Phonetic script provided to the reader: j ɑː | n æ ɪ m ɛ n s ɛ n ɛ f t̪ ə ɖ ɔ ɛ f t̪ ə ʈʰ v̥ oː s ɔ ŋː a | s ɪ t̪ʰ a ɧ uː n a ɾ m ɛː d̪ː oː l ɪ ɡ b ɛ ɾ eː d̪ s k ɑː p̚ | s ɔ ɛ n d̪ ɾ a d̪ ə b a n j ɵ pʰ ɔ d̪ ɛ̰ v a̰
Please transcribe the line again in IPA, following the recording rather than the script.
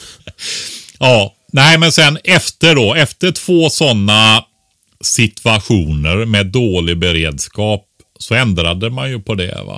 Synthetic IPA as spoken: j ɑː | n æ ɪ m ɛ n s ɛ n ɛ f t̪ ə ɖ ɔ ɛ f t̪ ə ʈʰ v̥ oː s ɔ nː a | s ɪ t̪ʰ a ɧ uː n ə ɾ m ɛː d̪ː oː l ɪ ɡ b ɛ ɾ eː d̪ s k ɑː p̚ | s ɔ ɛ n d̪ ɾ a d̪ ə m a n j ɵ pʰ ɔ d̪ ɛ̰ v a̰